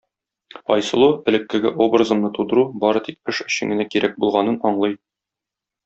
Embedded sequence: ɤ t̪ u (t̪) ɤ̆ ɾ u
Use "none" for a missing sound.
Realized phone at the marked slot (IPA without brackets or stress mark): d̪